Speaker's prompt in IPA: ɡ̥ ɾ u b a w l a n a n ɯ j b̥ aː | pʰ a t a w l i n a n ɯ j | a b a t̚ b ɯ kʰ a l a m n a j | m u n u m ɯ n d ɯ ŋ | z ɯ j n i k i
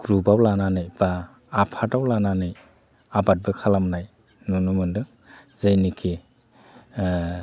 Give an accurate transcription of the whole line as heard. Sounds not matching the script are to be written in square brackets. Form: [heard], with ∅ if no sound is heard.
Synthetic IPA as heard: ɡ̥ ɾ u b a w l a n a n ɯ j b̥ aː | pʰ a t a w l [a] n a n ɯ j | a b a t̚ b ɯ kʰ a l a m n a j | [n] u n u m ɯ n d ɯ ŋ | z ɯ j n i [kʰ] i